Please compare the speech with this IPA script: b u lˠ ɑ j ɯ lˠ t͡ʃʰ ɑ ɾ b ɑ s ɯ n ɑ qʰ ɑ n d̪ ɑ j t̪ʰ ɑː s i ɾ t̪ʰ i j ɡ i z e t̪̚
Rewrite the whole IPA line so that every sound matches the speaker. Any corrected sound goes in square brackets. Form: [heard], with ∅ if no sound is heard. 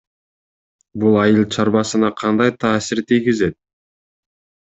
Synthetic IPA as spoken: b u lˠ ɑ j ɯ lˠ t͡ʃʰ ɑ ɾ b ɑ s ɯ n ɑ qʰ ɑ n d̪ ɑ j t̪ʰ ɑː s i ɾ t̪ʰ i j ɡ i z e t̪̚